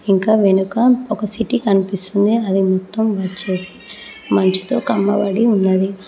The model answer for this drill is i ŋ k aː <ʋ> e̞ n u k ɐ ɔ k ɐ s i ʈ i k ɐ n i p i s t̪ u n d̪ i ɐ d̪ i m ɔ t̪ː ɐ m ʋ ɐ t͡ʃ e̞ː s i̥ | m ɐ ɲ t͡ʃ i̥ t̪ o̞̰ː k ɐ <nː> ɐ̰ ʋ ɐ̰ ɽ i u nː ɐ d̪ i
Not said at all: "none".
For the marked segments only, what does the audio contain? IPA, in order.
ʋ, mː

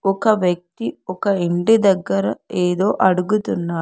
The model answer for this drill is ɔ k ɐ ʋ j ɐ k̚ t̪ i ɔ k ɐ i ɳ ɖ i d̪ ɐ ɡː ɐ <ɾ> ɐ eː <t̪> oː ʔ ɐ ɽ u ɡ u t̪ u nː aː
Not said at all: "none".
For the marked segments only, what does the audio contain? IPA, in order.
ɾ, d̪

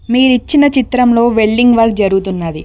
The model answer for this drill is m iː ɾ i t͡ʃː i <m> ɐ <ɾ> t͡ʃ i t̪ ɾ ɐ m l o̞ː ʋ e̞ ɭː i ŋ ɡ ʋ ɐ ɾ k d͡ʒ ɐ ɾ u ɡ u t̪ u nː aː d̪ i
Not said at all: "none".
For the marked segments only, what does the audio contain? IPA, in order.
n, none

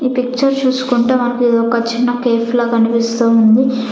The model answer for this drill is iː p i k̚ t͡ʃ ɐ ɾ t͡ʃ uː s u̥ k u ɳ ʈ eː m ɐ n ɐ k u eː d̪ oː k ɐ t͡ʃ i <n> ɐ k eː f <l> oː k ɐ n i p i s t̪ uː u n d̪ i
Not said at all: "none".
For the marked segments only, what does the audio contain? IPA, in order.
nː, l

